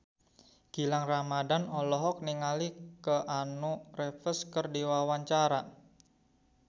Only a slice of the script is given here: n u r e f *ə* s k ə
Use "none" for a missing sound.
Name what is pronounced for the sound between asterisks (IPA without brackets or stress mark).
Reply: ə